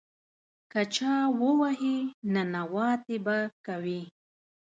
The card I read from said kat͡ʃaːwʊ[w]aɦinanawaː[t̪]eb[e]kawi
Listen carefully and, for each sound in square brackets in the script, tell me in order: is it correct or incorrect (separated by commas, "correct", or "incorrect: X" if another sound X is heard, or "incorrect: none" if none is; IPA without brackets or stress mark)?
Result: correct, correct, incorrect: a